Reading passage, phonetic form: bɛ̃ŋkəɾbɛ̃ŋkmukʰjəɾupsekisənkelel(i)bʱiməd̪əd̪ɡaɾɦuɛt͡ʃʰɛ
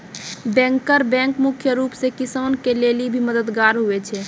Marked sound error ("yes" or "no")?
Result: no